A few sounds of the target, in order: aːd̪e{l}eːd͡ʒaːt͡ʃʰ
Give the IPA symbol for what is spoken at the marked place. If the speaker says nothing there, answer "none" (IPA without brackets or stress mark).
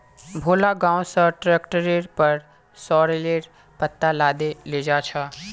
l